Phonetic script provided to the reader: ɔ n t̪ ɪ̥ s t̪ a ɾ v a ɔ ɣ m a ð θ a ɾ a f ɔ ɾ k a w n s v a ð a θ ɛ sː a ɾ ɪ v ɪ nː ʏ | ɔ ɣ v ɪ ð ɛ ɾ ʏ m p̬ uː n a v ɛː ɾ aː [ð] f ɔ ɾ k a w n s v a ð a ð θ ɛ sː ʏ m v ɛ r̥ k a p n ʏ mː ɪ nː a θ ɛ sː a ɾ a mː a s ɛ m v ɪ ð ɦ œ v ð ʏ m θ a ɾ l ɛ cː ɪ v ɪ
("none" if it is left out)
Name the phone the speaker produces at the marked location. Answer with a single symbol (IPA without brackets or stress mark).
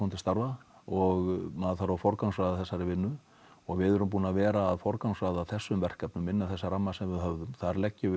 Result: ð